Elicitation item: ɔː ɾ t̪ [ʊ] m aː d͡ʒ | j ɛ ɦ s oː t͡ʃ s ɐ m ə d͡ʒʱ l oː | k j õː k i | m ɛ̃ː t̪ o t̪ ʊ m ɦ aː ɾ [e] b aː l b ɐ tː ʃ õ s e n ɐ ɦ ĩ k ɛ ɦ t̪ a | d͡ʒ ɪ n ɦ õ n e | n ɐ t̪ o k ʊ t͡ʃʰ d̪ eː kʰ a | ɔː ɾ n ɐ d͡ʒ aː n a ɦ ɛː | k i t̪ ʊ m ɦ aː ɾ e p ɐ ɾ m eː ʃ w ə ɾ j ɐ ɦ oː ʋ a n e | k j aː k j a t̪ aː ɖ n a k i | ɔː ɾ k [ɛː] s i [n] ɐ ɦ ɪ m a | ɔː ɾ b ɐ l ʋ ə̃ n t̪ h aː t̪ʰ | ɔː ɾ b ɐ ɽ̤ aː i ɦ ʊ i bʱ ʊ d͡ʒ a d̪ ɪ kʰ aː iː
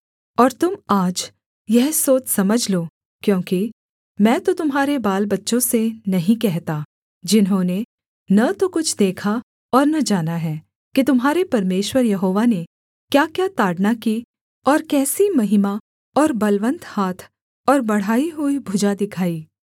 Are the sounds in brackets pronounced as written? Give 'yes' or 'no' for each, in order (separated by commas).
yes, yes, yes, no